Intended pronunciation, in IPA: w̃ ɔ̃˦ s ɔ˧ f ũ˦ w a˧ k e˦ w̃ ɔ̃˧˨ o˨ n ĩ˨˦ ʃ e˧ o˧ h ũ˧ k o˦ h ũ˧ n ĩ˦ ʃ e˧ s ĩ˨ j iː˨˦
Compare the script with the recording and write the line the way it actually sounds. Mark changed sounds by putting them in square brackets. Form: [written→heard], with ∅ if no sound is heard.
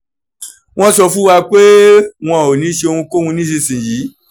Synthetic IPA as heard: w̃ ɔ̃˦ s ɔ˧ f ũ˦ w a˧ [k→k͡p] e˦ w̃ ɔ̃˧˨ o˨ n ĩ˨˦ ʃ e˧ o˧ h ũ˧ k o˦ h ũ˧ n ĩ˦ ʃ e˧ s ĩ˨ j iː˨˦